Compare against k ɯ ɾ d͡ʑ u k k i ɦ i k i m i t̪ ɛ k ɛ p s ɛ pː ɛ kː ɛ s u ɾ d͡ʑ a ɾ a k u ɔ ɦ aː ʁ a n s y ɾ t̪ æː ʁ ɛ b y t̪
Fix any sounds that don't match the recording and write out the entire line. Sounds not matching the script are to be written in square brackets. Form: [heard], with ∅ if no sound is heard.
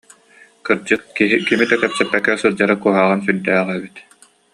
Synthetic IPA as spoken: k ɯ ɾ d͡ʑ [ɯ] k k i ɦ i k i m i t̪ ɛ k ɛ p s ɛ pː ɛ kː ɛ s [ɯ] ɾ d͡ʑ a ɾ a k u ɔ ɦ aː ʁ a n s y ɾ [d̪] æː ʁ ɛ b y t̪

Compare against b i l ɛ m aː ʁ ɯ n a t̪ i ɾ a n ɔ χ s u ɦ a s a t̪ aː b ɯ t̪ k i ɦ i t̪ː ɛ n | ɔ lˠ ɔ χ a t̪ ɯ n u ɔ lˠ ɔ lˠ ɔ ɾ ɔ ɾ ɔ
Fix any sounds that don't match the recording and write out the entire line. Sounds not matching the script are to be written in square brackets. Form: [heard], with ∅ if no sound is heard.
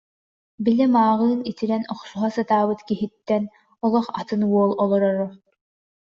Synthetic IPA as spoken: b i l ɛ m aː ʁ [ɯː] n [i] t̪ i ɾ [ɛ] n ɔ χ s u ɦ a s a t̪ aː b ɯ t̪ k i ɦ i t̪ː ɛ n | ɔ lˠ ɔ χ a t̪ ɯ n u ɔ lˠ ɔ lˠ ɔ ɾ ɔ ɾ ɔ

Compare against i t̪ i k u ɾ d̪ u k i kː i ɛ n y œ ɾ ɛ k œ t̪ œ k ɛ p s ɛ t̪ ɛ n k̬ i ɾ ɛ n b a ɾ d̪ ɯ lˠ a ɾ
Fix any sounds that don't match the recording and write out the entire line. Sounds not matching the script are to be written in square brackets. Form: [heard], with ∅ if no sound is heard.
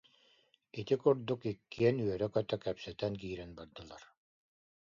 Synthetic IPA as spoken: i t̪ i k u ɾ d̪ u k i kː i ɛ n y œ ɾ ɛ k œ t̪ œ k ɛ p s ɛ t̪ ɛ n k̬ [iː] ɾ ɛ n b a ɾ d̪ ɯ lˠ a ɾ

